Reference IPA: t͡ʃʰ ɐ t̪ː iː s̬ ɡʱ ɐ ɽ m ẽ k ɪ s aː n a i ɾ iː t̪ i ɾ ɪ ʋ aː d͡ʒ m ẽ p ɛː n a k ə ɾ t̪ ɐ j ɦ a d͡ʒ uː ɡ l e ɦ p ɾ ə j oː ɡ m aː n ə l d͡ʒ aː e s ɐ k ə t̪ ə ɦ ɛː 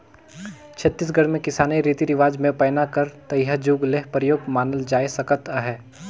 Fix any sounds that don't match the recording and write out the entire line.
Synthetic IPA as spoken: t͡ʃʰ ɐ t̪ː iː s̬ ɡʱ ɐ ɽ m ẽ k ɪ s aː n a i ɾ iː t̪ i ɾ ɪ ʋ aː d͡ʒ m ẽ p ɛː n a k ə ɾ t̪ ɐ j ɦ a d͡ʒ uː ɡ l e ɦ p ɾ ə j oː ɡ m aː n ə l d͡ʒ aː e s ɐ k ə t̪ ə ɦ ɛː